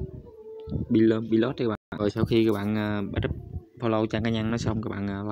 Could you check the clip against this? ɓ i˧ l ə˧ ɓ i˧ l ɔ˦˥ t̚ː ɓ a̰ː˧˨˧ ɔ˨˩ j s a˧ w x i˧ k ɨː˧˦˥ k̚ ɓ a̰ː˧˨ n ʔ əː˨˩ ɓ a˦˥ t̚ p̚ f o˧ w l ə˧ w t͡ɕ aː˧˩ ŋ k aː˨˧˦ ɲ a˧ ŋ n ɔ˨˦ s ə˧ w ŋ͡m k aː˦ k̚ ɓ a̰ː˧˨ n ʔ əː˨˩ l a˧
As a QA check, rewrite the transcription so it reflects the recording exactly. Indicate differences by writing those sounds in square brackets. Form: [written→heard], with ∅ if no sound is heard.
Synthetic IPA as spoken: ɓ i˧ l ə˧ ɓ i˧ l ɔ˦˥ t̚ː ɓ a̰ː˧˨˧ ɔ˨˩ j s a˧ w x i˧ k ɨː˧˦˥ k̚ ɓ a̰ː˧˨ n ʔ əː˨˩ ɓ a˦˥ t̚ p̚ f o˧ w l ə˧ w t͡ɕ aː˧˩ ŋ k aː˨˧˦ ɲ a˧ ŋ n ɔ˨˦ s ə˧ w ŋ͡m k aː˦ k̚ ɓ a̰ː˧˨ n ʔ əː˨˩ l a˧